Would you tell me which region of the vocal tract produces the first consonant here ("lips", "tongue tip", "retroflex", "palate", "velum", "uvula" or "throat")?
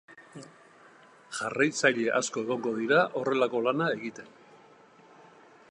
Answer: palate